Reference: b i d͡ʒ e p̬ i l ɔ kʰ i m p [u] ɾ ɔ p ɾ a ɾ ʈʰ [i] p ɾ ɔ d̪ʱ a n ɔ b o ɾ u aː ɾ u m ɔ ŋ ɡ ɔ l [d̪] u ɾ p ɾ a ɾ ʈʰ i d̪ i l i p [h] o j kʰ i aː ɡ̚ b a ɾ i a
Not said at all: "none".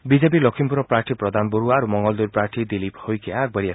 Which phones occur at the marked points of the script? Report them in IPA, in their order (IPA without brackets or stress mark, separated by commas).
u, i, d̪, h